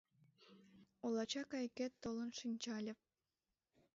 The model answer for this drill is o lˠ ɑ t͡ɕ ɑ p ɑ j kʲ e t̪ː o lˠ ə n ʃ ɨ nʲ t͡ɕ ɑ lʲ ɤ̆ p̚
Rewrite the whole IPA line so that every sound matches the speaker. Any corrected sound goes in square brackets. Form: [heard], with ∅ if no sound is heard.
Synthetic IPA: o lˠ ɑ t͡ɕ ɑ [k] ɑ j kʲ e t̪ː o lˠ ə n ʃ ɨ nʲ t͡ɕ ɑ lʲ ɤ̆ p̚